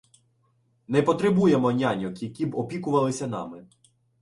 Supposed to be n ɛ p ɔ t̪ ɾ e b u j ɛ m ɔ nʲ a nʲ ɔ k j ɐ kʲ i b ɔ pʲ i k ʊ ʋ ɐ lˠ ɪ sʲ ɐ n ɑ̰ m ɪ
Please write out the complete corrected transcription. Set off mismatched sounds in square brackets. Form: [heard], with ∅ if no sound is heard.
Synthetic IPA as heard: n ɛ p ɔ t̪ ɾ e b u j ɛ m ɔ nʲ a nʲ ɔ k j ɐ kʲ i b ɔ pʲ i k ʊ ʋ ɐ lˠ ɪ sʲ ɐ n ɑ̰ m ɪ